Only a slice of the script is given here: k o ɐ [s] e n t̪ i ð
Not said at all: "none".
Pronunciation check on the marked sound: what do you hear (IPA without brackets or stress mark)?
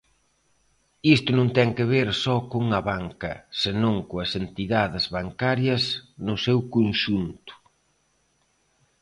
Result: s